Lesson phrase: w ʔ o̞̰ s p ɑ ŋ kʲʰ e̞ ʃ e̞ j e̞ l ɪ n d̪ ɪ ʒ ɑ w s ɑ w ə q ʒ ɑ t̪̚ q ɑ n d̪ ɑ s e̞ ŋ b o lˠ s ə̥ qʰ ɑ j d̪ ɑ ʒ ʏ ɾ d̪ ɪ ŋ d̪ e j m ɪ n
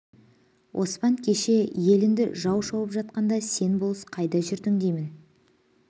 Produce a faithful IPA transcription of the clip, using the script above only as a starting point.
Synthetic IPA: w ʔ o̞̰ s p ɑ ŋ kʲʰ e̞ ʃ e̞ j e̞ l ɪ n d̪ ɪ ʒ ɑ w ʃ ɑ w ə p ʒ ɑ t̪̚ q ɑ n d̪ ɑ s e̞ n b o lˠ s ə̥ qʰ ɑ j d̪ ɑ ʒ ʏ ɾ d̪ ɪ ŋ d̪ e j m ɪ n